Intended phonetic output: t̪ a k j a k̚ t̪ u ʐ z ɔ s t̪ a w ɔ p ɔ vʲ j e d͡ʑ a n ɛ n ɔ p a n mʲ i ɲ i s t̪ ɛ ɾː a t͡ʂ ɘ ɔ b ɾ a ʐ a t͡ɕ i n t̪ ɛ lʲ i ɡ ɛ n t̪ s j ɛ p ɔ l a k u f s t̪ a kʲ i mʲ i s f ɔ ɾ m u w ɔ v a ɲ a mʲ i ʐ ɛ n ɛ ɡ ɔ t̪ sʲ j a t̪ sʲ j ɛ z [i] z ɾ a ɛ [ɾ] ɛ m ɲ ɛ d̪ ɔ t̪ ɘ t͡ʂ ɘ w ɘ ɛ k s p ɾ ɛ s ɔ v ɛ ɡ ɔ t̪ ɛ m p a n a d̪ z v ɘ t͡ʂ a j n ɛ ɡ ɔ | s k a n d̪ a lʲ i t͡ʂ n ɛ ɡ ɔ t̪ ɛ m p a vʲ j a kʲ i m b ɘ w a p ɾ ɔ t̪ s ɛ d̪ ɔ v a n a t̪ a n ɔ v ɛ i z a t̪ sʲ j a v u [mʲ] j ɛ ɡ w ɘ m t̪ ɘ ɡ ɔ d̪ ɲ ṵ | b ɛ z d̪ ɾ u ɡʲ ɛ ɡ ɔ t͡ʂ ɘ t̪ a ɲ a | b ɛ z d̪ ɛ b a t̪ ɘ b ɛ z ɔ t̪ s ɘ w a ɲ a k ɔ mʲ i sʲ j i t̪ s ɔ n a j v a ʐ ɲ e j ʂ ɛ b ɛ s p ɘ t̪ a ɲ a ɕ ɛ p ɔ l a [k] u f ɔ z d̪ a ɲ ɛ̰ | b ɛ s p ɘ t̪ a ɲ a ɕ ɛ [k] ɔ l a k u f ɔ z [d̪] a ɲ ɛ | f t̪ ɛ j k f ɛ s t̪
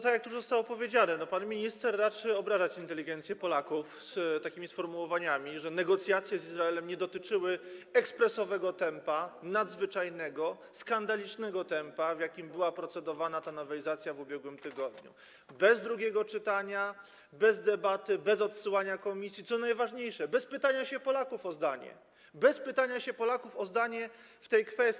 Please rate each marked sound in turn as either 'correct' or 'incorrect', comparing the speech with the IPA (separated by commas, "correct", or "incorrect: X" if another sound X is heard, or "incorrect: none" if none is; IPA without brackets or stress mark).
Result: correct, incorrect: l, incorrect: bʲ, correct, incorrect: p, correct